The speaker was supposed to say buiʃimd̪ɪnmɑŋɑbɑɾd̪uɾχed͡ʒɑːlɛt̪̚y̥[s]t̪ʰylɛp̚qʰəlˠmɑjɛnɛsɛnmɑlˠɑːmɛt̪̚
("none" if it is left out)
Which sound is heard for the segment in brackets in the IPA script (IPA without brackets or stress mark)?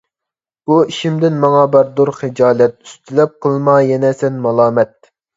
s